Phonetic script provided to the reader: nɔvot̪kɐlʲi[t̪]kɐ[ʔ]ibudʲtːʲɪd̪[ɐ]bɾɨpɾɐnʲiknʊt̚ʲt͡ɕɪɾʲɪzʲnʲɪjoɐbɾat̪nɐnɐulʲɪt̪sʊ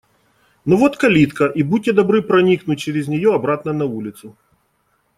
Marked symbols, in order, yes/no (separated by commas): yes, yes, yes